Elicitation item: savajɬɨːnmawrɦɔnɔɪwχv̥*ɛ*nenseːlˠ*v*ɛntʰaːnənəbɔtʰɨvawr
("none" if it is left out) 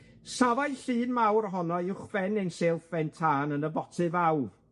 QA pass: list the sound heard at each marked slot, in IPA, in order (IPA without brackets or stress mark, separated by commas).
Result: ɛ, f